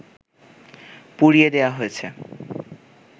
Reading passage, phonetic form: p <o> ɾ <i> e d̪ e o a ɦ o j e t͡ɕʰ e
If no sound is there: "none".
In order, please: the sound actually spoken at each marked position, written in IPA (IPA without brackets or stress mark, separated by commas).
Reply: u, i